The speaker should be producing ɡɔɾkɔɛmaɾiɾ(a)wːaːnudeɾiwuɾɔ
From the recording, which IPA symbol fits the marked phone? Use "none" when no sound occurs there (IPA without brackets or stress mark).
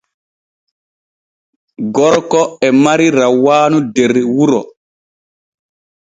a